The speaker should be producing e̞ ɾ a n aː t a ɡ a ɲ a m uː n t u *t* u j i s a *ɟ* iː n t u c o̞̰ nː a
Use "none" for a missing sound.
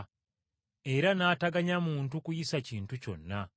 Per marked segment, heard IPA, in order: k, c

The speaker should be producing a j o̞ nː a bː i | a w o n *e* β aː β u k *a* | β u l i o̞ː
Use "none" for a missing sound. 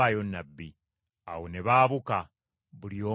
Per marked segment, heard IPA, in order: e, a

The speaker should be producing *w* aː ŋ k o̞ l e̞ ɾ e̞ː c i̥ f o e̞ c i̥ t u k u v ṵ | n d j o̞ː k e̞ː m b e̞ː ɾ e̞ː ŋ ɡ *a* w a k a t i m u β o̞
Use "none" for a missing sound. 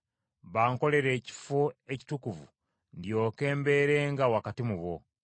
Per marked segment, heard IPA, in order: β, a

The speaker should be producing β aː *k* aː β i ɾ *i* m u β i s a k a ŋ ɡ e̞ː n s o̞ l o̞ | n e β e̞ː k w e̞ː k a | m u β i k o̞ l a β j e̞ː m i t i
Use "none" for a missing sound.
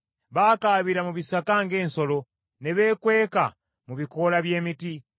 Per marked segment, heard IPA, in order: k, a

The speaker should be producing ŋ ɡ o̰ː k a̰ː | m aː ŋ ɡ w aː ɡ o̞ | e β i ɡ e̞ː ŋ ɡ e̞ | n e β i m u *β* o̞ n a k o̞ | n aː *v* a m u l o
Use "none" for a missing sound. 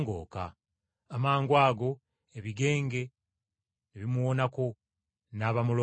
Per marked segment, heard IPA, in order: w, β

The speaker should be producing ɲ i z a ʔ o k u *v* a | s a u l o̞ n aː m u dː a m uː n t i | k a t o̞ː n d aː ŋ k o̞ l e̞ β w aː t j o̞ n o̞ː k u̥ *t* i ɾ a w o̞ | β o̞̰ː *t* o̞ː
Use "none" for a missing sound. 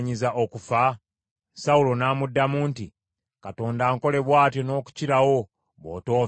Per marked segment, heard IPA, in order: f, c, t

